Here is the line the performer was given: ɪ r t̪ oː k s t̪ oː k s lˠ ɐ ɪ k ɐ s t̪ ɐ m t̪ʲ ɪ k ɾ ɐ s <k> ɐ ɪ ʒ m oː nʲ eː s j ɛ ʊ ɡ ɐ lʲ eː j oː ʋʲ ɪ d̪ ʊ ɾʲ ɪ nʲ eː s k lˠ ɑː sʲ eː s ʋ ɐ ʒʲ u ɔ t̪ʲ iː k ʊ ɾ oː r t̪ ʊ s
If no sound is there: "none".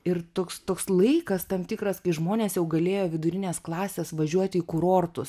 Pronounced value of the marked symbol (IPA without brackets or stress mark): k